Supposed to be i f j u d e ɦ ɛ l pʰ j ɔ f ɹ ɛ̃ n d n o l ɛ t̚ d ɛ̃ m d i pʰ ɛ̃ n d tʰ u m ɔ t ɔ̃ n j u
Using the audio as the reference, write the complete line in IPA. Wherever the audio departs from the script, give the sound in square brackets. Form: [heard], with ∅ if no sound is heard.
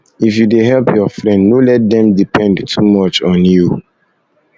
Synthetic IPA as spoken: i f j u d e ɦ ɛ l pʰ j ɔ f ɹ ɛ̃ n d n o l ɛ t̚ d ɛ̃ m d i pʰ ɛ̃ n d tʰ u m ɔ [t͡ʃ] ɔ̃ n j u